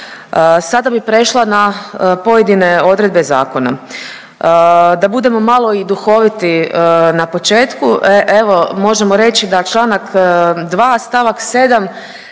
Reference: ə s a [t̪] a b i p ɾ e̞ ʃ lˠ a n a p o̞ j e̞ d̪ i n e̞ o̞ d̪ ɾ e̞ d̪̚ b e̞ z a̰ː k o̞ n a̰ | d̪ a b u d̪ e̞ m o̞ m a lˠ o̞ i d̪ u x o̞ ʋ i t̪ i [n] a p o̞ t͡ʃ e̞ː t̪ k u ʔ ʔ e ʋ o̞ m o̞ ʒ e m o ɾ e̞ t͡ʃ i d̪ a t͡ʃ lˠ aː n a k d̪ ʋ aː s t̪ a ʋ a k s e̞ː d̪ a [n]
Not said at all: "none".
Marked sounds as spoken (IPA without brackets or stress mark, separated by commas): d̪, n, m